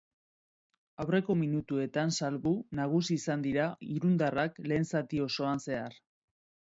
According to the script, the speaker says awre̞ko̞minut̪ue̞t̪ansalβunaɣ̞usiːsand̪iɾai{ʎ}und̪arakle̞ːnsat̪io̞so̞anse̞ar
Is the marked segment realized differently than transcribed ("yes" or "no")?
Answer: yes